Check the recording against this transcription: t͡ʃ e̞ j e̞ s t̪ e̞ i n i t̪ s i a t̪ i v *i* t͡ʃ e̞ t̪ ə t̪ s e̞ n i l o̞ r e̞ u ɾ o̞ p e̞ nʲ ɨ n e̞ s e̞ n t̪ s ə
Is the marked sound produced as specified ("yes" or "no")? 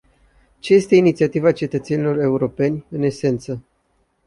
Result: no